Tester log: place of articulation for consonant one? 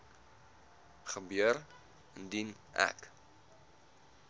uvular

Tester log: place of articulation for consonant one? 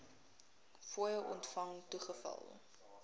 labial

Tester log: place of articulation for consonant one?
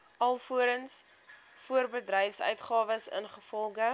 alveolar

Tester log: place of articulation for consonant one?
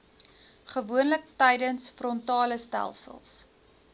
uvular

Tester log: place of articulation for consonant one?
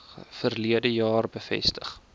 labial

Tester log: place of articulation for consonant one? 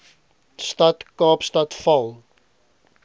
alveolar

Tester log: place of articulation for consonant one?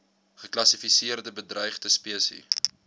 uvular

